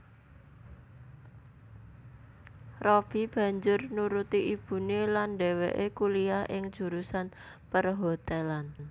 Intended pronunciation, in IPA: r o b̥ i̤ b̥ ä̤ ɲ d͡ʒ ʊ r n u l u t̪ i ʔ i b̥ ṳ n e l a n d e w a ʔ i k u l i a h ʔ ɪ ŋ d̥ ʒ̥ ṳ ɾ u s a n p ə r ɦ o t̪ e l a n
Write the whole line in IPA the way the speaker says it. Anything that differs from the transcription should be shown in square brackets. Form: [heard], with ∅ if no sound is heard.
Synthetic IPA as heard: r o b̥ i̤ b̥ ä̤ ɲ d͡ʒ ʊ r n u [ɾ] u t̪ i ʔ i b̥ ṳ n e l a n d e w [e] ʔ [e] k u l i a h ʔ ɪ ŋ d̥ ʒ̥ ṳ ɾ u s a n p ə r ɦ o t̪ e l a n